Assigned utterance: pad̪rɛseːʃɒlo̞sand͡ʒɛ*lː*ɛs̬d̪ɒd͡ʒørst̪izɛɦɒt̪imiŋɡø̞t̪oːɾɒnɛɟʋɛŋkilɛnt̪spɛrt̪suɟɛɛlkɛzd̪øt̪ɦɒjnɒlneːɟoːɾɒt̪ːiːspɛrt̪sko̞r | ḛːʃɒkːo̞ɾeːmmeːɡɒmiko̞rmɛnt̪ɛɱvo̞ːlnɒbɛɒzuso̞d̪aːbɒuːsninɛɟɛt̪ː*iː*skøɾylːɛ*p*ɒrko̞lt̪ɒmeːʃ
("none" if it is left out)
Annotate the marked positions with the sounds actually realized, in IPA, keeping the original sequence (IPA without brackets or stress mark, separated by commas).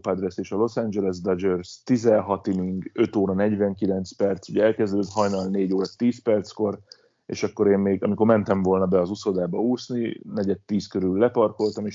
l, iː, p